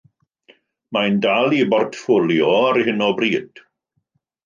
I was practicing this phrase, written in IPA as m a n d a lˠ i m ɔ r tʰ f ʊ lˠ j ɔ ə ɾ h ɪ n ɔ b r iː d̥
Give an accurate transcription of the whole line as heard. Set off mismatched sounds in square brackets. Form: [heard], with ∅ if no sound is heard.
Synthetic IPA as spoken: m a n d a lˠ i [b] ɔ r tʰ f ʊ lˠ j ɔ [a] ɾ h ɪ n ɔ b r iː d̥